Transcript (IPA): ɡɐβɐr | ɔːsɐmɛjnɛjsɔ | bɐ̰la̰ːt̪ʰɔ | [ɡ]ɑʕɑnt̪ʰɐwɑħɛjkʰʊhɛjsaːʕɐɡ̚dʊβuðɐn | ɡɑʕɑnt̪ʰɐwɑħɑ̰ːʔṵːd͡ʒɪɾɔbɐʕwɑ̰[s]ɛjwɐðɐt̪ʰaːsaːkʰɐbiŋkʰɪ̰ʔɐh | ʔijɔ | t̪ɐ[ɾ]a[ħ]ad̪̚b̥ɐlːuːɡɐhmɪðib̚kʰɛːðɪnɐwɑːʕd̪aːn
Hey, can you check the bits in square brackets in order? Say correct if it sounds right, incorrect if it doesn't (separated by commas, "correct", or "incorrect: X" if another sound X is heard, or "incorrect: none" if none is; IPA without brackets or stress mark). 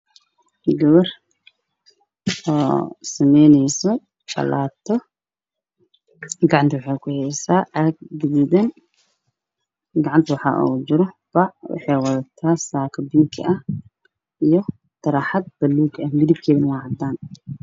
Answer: correct, incorrect: ħ, correct, correct